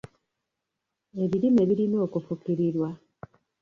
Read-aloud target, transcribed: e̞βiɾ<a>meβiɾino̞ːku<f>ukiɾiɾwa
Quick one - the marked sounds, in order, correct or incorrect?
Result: incorrect: i, correct

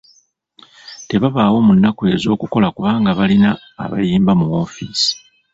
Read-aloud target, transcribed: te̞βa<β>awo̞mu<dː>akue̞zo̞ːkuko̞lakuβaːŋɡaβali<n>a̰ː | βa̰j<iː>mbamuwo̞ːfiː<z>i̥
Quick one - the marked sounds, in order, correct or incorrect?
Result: correct, incorrect: nː, correct, correct, incorrect: s

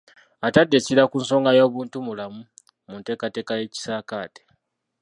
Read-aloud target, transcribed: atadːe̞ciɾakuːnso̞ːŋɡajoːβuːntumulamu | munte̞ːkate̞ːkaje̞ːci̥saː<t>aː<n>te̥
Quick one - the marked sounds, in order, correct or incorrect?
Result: incorrect: k, incorrect: none

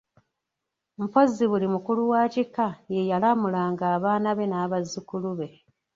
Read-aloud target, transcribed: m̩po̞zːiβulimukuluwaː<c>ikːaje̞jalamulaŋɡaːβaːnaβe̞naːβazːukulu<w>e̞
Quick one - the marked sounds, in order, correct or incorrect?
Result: correct, incorrect: β

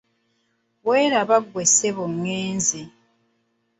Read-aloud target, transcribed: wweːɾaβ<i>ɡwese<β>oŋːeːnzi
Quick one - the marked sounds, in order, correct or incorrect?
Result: incorrect: a, correct

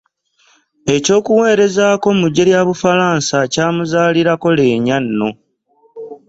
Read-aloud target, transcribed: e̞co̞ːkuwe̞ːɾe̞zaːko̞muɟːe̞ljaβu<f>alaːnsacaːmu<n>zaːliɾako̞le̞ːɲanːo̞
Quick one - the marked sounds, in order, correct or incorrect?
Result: correct, incorrect: none

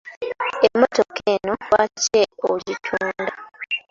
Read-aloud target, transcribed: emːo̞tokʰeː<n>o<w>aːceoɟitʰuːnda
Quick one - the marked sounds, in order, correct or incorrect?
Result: correct, correct

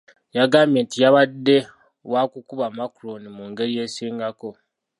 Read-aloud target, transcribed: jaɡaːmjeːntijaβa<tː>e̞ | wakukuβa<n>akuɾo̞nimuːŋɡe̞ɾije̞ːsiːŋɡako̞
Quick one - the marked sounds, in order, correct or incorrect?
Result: incorrect: dː, incorrect: m

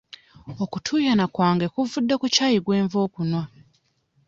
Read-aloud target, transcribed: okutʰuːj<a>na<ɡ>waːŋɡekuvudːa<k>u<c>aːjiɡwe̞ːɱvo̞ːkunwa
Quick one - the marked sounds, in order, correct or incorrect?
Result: correct, incorrect: k, correct, correct

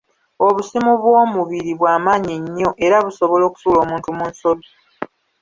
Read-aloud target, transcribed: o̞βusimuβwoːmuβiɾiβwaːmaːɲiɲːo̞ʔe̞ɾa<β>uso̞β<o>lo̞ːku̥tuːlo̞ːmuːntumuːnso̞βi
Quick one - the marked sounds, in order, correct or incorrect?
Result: correct, correct

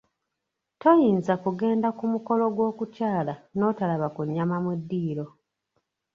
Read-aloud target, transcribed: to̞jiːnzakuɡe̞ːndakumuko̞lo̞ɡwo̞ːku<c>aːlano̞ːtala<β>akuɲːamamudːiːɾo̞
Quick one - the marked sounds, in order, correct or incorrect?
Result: correct, correct

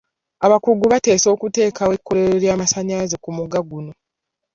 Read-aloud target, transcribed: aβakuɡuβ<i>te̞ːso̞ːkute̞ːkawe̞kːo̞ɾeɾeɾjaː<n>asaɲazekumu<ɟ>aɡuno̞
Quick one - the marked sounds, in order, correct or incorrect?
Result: incorrect: a, incorrect: m, incorrect: ɡ

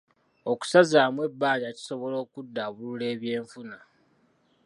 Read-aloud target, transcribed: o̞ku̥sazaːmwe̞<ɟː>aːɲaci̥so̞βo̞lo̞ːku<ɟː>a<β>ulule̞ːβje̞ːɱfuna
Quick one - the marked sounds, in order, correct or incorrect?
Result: incorrect: bː, incorrect: dː, correct

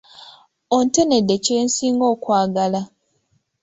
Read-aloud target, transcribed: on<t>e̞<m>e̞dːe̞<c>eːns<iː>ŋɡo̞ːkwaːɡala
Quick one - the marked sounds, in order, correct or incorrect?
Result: correct, incorrect: n, correct, correct

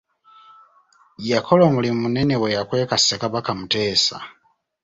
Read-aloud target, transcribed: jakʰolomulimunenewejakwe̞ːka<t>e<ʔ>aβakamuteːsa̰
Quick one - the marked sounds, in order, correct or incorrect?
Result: incorrect: s, incorrect: k

